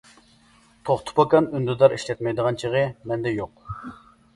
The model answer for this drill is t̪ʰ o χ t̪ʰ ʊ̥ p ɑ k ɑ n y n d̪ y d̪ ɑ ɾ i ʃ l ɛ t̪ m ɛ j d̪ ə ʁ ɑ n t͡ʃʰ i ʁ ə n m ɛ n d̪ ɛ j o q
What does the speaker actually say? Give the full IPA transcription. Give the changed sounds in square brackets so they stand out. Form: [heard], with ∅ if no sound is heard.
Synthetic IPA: t̪ʰ o χ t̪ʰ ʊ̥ p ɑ k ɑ n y n d̪ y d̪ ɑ ɾ i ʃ l ɛ t̪ m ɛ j d̪ ə ʁ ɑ n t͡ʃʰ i ʁ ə [∅] m ɛ n d̪ ɛ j o q